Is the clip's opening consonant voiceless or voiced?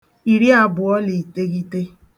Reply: voiced